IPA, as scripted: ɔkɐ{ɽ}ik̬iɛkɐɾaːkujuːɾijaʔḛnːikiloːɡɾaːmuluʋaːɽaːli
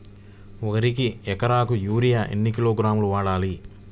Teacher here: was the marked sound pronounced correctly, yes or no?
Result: no